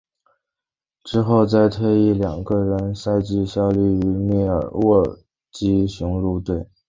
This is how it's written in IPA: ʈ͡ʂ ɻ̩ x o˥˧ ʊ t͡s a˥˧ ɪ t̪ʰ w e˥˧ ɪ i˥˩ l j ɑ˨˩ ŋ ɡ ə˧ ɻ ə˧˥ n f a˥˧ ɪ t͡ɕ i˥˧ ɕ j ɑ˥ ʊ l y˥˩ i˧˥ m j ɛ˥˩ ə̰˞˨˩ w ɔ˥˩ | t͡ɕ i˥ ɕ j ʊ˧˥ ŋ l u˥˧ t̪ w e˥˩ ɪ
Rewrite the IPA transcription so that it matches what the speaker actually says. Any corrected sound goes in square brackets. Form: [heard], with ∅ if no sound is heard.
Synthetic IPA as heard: ʈ͡ʂ ɻ̩ x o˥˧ ʊ t͡s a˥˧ ɪ t̪ʰ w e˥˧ ɪ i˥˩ l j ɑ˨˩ ŋ ɡ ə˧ ɻ ə˧˥ n [s] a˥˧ ɪ t͡ɕ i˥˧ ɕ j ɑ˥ ʊ l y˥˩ [y˧˥] m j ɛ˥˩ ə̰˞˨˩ w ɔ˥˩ | t͡ɕ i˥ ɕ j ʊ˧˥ ŋ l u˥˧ t̪ w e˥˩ ɪ